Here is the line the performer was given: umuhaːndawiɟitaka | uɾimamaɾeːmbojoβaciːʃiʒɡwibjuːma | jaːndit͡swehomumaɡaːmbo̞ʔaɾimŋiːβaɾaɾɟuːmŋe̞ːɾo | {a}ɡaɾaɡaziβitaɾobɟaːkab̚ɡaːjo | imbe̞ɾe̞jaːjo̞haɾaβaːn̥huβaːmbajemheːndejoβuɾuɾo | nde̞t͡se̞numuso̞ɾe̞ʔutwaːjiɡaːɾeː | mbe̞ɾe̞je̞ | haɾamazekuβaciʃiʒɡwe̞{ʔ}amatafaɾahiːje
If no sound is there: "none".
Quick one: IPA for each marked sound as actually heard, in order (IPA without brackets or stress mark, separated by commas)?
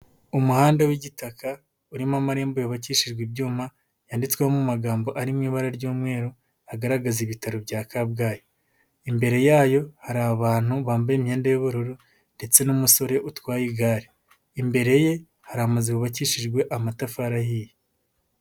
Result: a, ʔ